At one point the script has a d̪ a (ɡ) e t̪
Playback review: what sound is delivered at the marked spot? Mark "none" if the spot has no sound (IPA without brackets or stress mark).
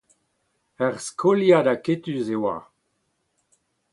k